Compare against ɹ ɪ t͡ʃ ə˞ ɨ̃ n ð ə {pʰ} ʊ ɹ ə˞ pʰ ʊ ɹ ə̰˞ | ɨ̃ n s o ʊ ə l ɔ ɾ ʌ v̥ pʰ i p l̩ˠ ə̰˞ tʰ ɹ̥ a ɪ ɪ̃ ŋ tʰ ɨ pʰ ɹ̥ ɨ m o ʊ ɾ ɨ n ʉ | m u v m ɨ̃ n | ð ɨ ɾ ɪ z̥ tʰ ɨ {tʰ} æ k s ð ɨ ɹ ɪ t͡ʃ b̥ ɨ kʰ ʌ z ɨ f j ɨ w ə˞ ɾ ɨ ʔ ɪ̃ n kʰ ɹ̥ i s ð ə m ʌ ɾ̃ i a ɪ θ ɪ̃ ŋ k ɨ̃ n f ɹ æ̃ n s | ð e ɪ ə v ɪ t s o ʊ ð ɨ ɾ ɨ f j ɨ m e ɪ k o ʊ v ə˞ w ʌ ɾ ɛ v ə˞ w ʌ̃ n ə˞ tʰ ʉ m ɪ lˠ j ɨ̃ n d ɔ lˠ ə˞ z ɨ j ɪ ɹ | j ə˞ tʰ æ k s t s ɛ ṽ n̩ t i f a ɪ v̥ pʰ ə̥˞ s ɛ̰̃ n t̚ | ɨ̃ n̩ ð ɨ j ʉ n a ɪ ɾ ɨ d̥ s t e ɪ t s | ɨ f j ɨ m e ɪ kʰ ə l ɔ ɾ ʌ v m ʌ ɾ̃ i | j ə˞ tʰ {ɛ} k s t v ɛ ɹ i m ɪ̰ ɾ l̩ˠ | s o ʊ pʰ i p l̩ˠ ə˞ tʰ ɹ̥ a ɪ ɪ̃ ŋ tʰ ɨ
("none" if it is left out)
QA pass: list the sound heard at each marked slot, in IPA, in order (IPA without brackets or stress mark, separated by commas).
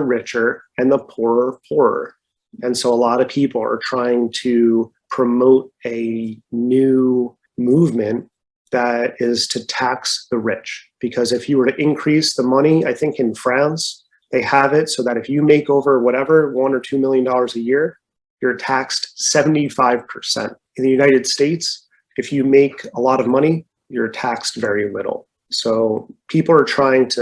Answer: pʰ, tʰ, æ